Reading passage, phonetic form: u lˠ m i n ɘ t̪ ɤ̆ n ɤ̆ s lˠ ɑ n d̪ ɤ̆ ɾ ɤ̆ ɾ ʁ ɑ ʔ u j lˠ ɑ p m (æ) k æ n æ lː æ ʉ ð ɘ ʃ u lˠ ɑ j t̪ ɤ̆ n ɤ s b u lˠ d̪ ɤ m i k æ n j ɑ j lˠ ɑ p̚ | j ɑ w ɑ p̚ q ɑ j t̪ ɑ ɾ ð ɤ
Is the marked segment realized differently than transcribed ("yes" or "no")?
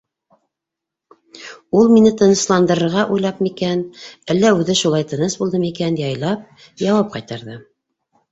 yes